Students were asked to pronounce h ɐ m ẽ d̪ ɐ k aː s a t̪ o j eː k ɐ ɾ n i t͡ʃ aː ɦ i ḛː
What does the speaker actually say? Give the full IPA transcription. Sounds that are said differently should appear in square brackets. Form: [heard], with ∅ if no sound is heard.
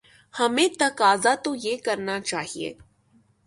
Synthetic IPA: h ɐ m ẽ [t̪] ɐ k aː [z] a t̪ o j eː k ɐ ɾ n [a] t͡ʃ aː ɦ i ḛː